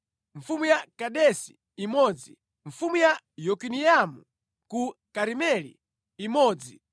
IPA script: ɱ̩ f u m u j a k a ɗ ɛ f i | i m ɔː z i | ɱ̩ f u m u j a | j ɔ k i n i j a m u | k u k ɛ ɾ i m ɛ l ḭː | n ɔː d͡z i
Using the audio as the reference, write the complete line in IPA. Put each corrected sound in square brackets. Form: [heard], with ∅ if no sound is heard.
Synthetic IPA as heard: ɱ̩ f u m u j a k a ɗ ɛ [s] i | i m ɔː [d͡z] i | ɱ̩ f u m u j a | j ɔ k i n i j a m u | k u k [a] ɾ i m ɛ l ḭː | [m] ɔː d͡z i